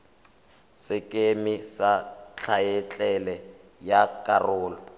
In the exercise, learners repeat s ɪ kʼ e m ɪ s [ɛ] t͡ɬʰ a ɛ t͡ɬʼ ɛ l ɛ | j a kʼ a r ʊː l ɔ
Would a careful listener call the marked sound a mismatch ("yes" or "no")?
yes